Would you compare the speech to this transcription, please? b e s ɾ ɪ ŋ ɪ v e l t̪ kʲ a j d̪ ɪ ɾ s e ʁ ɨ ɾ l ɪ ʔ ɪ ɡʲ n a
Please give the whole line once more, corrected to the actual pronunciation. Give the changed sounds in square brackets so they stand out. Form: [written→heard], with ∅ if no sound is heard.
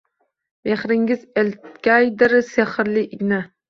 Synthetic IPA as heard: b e [s→χ] ɾ ɪ ŋ ɪ [v→z] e l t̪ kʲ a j d̪ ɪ ɾ s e [ʁ→χ] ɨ ɾ l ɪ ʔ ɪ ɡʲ n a